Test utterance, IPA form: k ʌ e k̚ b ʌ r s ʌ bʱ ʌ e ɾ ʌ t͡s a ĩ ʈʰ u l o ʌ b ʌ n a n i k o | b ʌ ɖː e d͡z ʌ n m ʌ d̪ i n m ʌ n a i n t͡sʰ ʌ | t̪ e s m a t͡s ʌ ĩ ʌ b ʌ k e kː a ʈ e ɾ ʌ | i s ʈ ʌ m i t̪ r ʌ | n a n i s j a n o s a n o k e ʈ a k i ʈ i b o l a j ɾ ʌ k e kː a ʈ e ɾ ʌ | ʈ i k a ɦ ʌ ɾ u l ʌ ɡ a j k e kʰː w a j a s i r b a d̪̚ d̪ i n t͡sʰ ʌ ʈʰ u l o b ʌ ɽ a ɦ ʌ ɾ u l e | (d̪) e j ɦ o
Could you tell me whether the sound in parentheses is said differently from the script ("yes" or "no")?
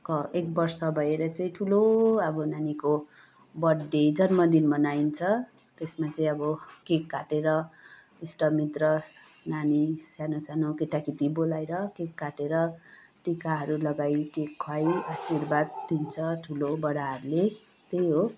yes